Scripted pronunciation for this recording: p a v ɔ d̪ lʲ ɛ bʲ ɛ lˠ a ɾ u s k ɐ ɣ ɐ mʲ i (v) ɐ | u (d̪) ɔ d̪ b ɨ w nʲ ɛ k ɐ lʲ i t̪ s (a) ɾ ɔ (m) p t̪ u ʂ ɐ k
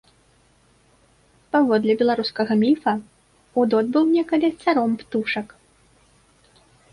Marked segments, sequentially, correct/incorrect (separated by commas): incorrect, correct, correct, correct